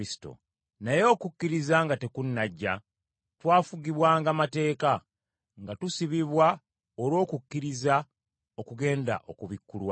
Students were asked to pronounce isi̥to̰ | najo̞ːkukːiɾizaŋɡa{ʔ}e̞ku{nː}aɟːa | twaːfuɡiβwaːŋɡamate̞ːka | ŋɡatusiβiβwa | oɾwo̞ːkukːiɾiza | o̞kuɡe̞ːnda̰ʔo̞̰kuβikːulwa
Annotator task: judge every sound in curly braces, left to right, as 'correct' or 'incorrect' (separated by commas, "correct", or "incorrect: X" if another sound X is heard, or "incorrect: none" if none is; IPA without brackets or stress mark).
incorrect: t, correct